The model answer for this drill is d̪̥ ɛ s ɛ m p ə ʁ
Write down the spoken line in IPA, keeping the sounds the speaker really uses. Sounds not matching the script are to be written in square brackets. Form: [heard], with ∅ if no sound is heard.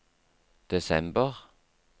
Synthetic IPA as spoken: d̪̥ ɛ s ɛ m [b] ə ʁ